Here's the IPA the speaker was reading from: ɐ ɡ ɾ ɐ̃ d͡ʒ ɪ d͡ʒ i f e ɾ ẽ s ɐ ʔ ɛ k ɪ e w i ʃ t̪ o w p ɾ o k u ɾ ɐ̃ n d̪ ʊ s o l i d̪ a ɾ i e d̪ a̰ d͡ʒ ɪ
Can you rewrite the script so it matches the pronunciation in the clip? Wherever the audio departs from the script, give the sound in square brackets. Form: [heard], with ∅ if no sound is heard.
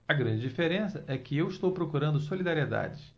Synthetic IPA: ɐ ɡ ɾ ɐ̃ d͡ʒ ɪ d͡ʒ i f e ɾ ẽ s ɐ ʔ ɛ k ɪ e w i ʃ t̪ o w p ɾ o k u ɾ ɐ̃ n d̪ ʊ s o l i d̪ a ɾ i e d̪ a̰ d͡ʒ ɪ